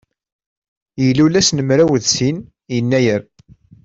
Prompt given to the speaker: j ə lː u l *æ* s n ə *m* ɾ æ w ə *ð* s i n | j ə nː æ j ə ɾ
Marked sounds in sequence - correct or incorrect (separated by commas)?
correct, correct, correct